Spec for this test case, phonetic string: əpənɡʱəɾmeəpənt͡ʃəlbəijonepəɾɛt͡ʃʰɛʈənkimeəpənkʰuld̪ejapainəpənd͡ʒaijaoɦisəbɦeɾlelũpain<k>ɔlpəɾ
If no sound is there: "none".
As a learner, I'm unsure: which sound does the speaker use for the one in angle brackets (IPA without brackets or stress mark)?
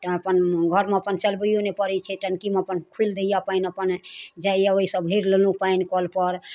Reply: k